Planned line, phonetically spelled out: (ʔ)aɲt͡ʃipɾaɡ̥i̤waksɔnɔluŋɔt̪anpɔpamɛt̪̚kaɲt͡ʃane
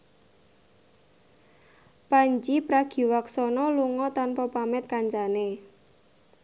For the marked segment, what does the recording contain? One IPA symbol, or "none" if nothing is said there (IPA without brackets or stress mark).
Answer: p